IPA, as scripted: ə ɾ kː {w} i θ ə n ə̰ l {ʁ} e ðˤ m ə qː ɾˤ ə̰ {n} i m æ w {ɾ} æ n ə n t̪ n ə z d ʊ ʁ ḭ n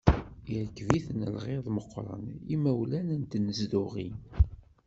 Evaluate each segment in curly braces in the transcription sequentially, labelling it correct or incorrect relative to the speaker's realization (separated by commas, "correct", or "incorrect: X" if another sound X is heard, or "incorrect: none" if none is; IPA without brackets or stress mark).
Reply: incorrect: v, correct, correct, incorrect: l